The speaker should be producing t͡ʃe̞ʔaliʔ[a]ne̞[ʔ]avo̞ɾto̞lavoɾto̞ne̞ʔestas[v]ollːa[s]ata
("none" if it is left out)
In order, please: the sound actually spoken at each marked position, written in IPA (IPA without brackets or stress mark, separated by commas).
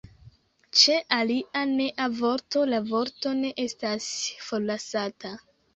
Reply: a, ʔ, f, s